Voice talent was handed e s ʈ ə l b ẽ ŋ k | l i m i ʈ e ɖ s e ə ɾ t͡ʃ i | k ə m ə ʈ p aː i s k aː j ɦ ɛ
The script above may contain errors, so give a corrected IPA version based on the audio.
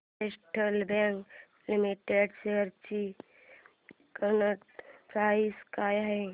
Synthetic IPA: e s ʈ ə l b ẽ ŋ k | l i m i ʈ e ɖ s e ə ɾ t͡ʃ i | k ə n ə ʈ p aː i s k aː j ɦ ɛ